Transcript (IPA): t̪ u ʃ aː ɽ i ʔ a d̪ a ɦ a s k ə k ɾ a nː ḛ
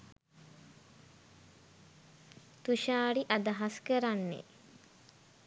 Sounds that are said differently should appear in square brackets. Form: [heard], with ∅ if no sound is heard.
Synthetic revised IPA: t̪ u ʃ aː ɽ i ʔ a d̪ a ɦ a s k ə [∅] ɾ a nː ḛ